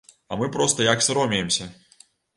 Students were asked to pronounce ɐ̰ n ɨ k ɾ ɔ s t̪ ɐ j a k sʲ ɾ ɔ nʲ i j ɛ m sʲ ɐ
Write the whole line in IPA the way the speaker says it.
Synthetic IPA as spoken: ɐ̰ m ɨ p ɾ ɔ s t̪ ɐ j a k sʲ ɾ ɔ mʲ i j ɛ m sʲ ɐ